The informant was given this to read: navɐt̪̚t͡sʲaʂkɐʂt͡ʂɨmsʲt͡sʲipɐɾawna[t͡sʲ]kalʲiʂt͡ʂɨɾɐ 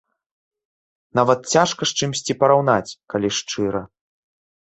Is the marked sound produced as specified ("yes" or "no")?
yes